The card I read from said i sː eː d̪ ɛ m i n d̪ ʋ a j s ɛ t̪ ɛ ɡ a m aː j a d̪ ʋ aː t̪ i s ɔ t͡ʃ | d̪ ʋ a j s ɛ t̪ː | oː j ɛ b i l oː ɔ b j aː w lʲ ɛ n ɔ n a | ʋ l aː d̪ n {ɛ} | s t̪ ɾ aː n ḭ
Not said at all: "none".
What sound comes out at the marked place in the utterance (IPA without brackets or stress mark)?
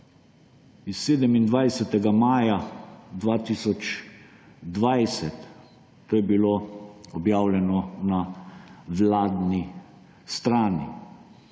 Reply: i